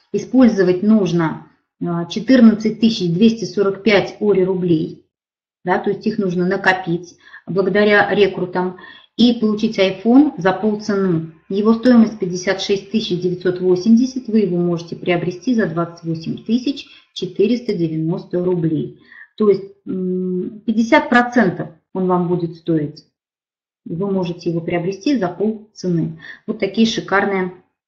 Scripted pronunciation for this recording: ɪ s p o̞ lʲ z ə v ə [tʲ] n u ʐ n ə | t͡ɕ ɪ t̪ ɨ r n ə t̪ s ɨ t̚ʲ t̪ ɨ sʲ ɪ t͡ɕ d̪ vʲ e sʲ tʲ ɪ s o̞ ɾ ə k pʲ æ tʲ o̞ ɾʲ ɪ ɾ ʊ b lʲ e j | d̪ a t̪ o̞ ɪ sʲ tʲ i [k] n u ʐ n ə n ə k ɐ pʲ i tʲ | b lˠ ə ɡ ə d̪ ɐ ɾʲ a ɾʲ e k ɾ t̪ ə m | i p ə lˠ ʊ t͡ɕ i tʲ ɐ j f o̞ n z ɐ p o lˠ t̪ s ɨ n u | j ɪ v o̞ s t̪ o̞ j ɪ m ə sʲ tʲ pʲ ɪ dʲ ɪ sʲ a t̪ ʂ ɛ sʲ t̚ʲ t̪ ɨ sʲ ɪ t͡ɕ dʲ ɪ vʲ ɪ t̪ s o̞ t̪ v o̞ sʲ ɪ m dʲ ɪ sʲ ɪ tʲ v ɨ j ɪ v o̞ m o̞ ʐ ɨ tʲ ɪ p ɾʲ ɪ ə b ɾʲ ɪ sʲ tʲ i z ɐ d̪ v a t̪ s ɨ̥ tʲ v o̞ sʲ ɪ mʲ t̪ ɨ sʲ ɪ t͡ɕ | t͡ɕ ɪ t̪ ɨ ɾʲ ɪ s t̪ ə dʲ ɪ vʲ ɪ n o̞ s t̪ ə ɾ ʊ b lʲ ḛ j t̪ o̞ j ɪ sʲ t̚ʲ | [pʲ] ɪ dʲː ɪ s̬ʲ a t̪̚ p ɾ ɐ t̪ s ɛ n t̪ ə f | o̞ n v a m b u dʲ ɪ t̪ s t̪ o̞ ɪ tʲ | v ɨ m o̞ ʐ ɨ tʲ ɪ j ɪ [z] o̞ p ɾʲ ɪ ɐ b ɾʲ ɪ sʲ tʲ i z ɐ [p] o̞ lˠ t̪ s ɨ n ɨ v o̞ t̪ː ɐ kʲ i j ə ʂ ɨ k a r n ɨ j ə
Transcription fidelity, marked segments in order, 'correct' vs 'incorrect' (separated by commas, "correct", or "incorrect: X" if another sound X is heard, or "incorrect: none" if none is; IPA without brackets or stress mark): correct, incorrect: x, correct, incorrect: v, correct